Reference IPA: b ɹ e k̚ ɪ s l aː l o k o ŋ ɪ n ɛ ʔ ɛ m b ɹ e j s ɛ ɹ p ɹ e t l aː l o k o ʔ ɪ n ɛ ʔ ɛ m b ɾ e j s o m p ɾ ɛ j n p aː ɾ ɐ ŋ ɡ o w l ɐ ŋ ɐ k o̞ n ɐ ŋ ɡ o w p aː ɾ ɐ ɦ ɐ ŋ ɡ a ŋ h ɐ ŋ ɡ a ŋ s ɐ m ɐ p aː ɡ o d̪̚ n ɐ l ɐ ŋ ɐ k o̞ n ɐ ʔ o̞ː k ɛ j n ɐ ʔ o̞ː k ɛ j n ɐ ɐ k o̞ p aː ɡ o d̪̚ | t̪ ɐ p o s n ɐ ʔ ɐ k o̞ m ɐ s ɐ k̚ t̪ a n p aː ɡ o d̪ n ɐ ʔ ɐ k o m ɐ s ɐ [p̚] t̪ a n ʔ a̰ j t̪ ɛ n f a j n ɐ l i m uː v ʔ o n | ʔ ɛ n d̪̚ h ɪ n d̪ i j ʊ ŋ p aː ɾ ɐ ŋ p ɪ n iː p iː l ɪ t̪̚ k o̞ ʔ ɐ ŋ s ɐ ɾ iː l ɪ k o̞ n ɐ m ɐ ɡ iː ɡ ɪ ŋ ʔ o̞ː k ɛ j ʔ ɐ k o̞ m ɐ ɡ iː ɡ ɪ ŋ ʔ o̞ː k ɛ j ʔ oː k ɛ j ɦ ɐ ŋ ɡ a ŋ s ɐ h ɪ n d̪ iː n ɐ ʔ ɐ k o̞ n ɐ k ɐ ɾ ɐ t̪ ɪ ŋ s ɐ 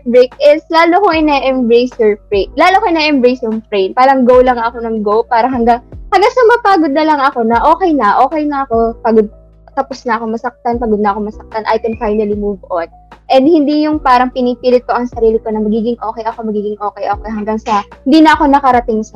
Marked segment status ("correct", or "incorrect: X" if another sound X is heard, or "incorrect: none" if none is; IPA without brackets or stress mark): incorrect: k̚